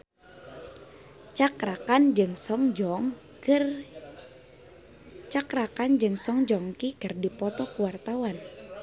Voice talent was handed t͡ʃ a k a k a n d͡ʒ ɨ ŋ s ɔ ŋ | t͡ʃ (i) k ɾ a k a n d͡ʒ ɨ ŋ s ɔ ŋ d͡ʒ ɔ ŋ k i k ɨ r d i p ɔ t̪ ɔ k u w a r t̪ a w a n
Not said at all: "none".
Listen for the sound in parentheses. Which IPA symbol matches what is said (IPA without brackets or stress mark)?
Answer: a